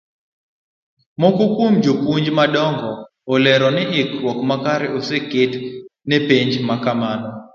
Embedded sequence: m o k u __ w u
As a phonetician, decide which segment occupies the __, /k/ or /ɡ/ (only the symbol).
k